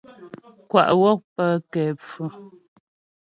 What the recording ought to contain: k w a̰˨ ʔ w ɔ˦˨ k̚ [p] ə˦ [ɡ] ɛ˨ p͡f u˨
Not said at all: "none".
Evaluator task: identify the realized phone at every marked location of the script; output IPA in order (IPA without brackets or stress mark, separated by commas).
p, k